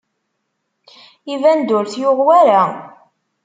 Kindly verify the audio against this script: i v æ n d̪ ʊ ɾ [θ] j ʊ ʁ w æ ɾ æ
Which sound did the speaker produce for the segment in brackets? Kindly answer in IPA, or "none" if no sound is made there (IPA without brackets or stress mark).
θ